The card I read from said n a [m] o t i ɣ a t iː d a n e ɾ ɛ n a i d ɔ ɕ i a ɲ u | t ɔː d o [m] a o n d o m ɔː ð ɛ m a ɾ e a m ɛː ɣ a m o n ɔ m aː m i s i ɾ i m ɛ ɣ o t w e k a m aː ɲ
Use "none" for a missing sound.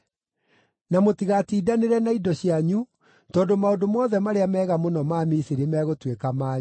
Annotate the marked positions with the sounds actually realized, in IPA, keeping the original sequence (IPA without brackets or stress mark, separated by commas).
m, m